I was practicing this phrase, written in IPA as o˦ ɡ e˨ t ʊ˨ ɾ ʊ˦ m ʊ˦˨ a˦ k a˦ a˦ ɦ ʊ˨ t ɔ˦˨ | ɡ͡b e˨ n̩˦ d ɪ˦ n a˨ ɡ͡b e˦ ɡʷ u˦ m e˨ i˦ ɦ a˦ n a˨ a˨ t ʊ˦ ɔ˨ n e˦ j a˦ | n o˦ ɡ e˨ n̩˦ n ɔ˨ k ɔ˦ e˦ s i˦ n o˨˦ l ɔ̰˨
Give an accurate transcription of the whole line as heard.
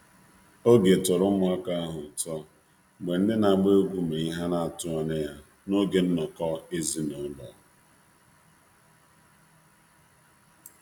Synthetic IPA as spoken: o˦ ɡ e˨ t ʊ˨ ɾ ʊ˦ m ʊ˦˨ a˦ k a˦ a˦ ɦ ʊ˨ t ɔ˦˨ | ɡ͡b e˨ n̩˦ d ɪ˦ n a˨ ɡ͡b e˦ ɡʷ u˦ m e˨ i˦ ɦ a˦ n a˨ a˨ t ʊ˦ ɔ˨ n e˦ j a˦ | n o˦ ɡ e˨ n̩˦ n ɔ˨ k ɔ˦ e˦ z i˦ n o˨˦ l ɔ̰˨